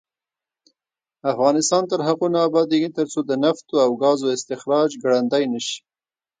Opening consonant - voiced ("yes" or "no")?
no